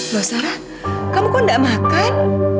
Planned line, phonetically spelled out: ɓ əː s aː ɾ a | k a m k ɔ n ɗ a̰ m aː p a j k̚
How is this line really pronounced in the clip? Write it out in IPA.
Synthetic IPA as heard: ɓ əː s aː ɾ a | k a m k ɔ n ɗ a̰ m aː k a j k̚